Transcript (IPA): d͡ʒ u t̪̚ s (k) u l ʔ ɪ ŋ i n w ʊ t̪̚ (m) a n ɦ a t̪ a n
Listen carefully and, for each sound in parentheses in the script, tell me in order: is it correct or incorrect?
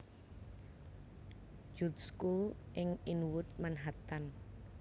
correct, correct

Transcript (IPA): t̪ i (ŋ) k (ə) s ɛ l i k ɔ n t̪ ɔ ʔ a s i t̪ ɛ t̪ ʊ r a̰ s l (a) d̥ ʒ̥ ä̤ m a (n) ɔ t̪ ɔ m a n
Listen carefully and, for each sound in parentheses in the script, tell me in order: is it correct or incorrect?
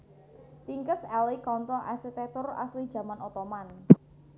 correct, correct, incorrect: i, correct

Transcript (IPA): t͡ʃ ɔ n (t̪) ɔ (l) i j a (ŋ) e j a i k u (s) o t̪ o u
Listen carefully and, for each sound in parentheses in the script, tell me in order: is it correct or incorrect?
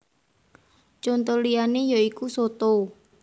correct, correct, incorrect: n, correct

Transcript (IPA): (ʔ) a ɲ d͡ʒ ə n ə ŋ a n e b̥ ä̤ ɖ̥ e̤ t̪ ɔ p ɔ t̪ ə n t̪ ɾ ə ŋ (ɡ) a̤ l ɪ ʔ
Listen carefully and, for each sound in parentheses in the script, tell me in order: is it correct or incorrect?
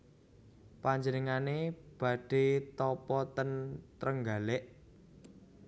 incorrect: p, correct

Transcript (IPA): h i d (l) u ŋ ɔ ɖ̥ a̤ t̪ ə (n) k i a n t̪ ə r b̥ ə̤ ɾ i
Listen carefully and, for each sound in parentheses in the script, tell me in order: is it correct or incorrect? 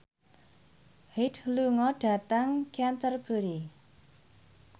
correct, incorrect: ŋ

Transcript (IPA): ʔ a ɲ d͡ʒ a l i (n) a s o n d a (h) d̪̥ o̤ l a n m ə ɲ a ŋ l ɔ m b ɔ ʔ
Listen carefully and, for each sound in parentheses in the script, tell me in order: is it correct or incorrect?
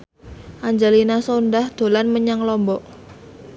correct, correct

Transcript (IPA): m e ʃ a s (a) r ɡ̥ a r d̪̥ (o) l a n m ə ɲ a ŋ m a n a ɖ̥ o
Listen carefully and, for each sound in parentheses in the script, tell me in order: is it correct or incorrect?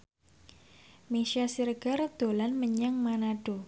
incorrect: i, correct

